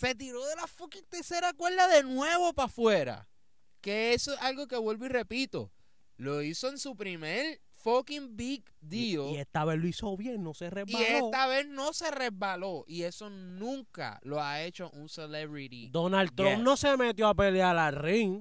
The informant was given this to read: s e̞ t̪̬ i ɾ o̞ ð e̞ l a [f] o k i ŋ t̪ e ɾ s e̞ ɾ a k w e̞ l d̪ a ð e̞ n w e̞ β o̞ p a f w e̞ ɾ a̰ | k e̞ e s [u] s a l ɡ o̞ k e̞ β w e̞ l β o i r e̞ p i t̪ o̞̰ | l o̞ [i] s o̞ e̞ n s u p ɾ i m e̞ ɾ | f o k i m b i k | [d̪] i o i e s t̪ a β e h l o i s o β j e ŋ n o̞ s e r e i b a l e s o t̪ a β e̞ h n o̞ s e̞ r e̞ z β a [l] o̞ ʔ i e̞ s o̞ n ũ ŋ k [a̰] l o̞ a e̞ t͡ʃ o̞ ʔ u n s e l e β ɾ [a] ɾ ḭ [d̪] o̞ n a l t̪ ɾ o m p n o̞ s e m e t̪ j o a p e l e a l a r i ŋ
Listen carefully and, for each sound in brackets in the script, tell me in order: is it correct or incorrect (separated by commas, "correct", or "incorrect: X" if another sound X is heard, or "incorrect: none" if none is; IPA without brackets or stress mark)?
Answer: correct, incorrect: o, correct, correct, correct, correct, incorrect: i, correct